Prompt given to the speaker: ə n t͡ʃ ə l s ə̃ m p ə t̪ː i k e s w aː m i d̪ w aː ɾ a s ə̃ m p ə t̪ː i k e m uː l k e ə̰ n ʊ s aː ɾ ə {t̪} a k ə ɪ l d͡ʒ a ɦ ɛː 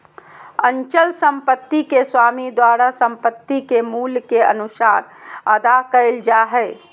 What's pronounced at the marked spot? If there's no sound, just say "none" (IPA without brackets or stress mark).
d̪